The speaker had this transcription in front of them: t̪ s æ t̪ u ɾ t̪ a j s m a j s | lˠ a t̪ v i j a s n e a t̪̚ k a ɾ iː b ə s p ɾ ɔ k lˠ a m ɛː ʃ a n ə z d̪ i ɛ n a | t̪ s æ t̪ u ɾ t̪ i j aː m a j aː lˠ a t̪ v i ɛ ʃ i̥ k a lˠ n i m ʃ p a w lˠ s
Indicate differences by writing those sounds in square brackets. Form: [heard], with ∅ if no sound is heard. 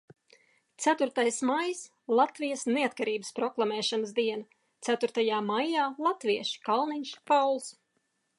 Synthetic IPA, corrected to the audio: t̪ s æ t̪ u ɾ t̪ a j s m a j s | lˠ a t̪ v i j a s n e a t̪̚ k a ɾ iː b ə s p ɾ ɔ k lˠ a m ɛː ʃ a n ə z d̪ i ɛ n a | t̪ s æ t̪ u ɾ t̪ [a] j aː m a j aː lˠ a t̪ v i ɛ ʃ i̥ k a lˠ n i [ɲ] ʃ p a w lˠ s